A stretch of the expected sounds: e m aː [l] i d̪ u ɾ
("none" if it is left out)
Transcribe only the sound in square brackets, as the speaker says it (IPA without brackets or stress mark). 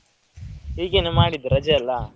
ɽ